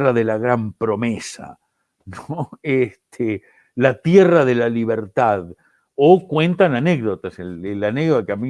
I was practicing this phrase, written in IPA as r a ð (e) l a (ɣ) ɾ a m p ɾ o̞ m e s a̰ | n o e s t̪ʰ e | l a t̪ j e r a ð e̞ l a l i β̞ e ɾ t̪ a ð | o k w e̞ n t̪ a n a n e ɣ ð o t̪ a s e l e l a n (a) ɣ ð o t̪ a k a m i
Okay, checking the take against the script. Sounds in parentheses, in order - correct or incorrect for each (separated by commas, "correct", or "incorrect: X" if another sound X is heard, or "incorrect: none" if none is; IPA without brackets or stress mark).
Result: correct, correct, incorrect: e